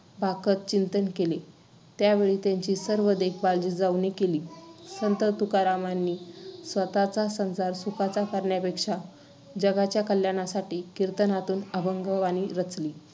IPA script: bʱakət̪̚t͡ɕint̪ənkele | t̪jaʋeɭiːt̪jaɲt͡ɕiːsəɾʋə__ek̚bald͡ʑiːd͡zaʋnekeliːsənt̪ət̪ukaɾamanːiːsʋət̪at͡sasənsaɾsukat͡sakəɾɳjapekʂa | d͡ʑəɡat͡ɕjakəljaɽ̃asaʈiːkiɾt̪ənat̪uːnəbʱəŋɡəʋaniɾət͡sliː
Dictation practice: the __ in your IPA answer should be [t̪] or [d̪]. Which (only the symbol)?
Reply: d̪